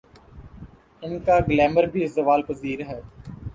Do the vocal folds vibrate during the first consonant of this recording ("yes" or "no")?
yes